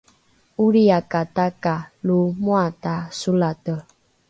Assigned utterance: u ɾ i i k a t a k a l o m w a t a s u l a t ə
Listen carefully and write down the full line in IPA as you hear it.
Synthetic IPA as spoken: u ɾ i a k a t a k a l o m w a t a s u l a t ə